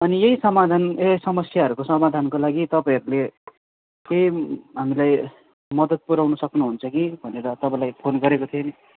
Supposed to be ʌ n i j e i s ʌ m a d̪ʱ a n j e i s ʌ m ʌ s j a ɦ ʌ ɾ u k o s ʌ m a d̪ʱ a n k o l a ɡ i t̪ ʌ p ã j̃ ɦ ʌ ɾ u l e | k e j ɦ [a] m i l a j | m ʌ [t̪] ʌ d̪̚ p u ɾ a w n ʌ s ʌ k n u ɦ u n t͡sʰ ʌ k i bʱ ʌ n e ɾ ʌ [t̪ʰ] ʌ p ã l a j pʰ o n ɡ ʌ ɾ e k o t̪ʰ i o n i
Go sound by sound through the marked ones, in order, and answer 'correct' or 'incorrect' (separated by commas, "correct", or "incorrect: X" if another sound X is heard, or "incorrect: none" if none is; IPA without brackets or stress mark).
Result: correct, incorrect: d̪, incorrect: t̪